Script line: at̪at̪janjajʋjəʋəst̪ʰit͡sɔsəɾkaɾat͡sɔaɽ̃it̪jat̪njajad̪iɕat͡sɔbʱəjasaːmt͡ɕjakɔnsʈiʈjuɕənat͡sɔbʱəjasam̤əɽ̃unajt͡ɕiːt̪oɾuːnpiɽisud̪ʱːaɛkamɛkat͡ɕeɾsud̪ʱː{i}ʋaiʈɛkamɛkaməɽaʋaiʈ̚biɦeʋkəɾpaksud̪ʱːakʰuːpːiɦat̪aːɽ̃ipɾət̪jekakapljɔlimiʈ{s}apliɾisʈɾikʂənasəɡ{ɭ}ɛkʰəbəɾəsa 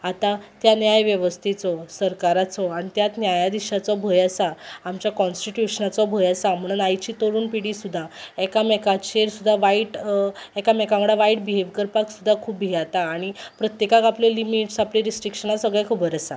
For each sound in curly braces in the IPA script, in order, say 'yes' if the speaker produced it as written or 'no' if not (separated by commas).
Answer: no, yes, yes